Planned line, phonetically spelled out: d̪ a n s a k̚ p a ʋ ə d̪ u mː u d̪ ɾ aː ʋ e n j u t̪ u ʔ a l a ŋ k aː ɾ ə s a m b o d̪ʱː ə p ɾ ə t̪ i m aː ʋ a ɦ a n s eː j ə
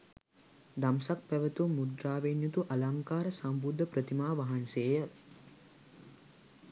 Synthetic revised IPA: d̪ a m s a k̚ p æ ʋ ə t̪ u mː u d̪ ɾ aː ʋ e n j u t̪ u ʔ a l a ŋ k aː ɾ ə s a m b u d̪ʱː ə p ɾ ə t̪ i m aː ʋ a ɦ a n s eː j ə